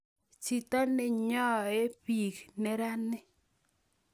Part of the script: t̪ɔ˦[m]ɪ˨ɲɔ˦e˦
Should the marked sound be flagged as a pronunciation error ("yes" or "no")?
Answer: yes